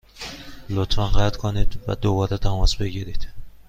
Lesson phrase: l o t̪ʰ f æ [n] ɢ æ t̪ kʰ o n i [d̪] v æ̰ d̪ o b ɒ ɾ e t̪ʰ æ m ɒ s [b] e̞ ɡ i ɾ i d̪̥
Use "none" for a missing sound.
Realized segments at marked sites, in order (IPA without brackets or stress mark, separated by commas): n, d̪, b